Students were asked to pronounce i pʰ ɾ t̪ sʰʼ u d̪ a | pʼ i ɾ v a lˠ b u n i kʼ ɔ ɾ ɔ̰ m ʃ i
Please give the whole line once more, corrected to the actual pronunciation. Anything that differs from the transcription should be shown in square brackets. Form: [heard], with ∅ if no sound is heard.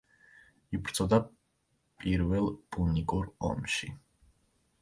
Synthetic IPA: i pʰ ɾ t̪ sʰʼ [ɔ] d̪ a | pʼ i ɾ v [ɛ] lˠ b u n i kʼ [u] ɾ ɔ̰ m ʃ i